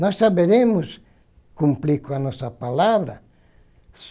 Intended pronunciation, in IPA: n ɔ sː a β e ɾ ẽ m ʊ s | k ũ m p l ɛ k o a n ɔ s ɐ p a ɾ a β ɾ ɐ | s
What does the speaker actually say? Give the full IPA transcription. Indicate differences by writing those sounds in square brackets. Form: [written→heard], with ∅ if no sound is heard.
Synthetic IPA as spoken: n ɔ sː a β e ɾ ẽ m ʊ s | k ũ m p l [ɛ→i] k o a n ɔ s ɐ p a [ɾ→l] a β ɾ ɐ | s